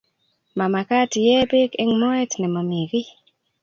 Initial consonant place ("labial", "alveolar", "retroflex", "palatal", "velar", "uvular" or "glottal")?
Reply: labial